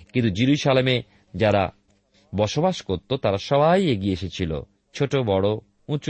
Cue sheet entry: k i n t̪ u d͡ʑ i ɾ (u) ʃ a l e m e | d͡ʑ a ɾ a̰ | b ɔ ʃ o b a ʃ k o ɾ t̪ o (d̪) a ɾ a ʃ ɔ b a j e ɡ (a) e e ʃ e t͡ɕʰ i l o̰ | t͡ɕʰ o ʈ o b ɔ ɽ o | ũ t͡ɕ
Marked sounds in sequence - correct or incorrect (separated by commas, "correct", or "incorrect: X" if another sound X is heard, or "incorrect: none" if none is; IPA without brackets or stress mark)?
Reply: correct, incorrect: t̪, incorrect: i